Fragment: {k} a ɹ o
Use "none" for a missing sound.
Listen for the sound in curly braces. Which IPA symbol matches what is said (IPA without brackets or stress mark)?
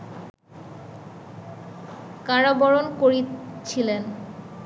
k